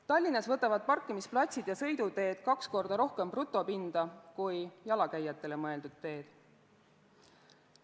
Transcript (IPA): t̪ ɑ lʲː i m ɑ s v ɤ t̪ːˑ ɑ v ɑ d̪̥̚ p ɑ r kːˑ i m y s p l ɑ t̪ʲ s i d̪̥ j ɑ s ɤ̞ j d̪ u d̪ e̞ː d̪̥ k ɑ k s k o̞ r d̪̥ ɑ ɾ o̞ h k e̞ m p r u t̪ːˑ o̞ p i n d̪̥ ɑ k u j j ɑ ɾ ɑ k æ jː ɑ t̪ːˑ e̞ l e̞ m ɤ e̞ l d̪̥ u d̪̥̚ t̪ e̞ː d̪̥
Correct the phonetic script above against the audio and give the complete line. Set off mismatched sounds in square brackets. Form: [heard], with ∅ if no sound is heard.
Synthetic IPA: t̪ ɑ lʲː i [n] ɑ s v ɤ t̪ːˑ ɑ v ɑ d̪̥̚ p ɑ r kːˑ i m [i] s p l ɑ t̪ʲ s i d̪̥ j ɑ s ɤ̞ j d̪ u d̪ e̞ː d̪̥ k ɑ k s k o̞ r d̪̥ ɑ ɾ o̞ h k e̞ m p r u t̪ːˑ o̞ p i n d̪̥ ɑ k u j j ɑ [l] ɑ k æ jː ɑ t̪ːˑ e̞ l e̞ m ɤ e̞ l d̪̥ u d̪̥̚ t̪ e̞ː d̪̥